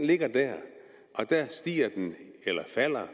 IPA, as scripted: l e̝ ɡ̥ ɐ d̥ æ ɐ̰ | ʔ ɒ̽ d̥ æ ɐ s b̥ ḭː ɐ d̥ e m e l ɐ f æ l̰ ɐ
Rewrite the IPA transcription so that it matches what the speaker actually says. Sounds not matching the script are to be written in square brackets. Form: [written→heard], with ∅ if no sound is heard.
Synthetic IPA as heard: l e̝ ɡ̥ ɐ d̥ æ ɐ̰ | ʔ ɒ̽ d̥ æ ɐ s [b̥→d̥] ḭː ɐ d̥ e [m→n] e l ɐ f æ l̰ ɐ